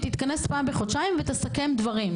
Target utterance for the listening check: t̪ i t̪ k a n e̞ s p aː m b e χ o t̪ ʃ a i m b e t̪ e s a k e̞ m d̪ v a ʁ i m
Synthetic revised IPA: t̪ i t̪ k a n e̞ s p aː m b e χ o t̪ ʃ a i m v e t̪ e s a k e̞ m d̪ v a ʁ i m